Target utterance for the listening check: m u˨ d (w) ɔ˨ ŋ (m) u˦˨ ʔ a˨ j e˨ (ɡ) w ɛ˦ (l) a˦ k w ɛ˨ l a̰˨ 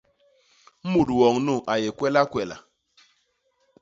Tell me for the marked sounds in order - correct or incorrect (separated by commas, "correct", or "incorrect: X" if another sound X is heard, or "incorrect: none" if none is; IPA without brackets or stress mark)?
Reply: correct, incorrect: n, incorrect: k, correct